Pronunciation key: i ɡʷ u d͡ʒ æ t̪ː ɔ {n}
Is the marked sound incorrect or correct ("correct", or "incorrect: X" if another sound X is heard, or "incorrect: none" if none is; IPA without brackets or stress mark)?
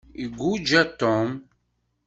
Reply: incorrect: m